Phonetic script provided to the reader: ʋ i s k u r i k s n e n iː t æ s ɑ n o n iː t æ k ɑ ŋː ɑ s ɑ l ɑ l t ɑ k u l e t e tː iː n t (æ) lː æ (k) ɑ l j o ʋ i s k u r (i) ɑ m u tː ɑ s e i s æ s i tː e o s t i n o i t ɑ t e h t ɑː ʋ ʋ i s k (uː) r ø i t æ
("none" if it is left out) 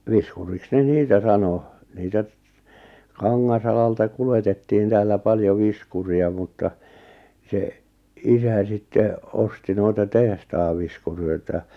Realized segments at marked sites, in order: æː, p, i, u

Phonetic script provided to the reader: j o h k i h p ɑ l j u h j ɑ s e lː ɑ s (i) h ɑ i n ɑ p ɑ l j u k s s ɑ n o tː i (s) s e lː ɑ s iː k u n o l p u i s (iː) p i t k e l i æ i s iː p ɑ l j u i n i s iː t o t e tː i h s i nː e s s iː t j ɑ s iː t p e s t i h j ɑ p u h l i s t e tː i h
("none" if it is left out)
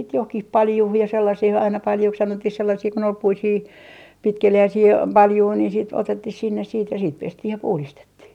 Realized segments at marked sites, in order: i, h, iː

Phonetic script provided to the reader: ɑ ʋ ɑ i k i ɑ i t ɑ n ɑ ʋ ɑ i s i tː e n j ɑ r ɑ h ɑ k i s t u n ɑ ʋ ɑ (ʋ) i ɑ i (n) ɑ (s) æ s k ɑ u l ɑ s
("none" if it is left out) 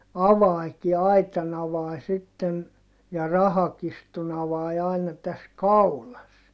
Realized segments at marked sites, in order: none, n, t

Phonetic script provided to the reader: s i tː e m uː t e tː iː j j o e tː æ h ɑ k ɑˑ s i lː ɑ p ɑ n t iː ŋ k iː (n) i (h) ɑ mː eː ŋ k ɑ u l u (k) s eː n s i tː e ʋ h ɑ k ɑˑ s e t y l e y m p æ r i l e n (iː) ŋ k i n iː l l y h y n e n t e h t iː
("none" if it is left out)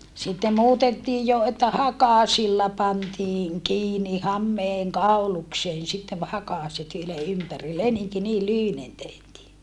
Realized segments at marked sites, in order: n, h, k, i

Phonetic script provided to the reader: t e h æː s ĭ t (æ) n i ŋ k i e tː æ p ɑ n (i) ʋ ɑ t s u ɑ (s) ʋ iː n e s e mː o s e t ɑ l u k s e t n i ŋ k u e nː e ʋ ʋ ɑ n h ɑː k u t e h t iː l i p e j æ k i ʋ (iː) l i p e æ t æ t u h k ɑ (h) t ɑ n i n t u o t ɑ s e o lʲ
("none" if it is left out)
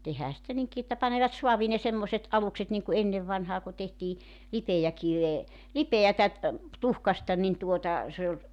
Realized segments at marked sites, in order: æ, e, none, eː, s

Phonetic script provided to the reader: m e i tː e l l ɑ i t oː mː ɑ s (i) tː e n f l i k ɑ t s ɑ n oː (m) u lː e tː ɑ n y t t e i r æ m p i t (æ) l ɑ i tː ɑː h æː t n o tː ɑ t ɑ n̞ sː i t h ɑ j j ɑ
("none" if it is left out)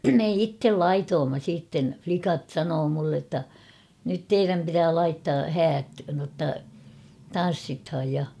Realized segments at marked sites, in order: iː, m, æː

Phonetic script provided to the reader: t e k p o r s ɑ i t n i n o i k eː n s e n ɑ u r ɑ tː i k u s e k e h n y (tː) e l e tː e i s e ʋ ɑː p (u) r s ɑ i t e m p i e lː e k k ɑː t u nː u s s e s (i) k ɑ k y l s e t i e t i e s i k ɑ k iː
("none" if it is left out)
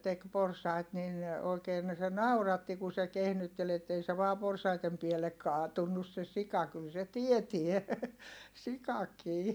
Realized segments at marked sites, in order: tː, o, i

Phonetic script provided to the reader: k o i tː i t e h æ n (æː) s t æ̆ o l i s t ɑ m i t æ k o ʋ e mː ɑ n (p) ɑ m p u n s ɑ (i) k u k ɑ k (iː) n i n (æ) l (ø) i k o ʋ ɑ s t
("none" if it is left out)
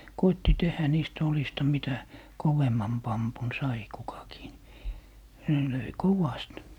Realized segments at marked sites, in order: iː, p, i, iː, e, ø

